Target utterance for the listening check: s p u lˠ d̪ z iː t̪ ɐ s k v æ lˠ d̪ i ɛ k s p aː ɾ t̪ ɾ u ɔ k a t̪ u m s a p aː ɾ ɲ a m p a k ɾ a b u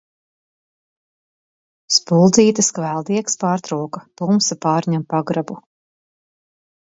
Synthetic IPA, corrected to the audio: s p u lˠ d̪ z iː t̪ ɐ s k v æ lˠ d̪ i ɛ k s p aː ɾ t̪ ɾ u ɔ k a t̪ u m s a p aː ɾ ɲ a m p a ɡ ɾ a b u